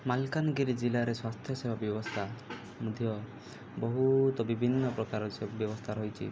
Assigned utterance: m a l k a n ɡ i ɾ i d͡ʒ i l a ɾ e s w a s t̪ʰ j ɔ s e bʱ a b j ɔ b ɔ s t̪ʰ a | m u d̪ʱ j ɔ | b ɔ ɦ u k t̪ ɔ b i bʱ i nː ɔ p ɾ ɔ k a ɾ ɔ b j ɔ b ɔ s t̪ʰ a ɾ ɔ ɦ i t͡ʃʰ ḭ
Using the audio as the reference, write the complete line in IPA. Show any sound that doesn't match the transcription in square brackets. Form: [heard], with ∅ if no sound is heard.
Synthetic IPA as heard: m a l k a n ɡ i ɾ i d͡ʒ i l a ɾ e s w a s t̪ʰ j ɔ s e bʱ a b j ɔ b ɔ s t̪ʰ a | m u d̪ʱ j ɔ | b ɔ ɦ u [∅] t̪ ɔ b i bʱ i nː ɔ p ɾ ɔ k a ɾ ɔ b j ɔ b ɔ s t̪ʰ a ɾ ɔ ɦ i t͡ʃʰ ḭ